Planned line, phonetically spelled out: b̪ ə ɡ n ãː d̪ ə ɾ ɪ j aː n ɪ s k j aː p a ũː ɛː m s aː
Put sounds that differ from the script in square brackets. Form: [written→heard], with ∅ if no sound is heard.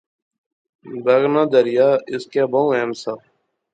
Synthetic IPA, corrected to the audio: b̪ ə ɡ n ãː d̪ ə ɾ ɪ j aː [n→∅] ɪ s k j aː [p→b] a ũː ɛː m s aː